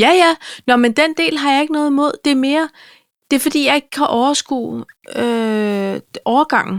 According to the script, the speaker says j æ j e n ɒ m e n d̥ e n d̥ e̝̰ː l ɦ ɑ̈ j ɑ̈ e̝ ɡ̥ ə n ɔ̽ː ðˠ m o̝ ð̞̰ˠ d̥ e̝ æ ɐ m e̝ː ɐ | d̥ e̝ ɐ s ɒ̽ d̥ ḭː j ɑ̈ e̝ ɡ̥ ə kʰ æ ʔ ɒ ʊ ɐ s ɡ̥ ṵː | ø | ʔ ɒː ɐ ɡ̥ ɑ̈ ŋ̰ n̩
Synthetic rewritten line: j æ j æ n ɒ m e n d̥ e n d̥ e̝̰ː l ɦ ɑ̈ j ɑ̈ e̝ ɡ̥ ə n ɔ̽ː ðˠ m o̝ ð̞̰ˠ d̥ e̝ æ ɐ m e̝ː ɐ | d̥ e̝ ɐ f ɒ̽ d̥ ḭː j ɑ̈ e̝ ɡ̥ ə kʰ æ ʔ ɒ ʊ ɐ s ɡ̥ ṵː | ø | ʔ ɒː ɐ ɡ̥ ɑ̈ ŋ̰ n̩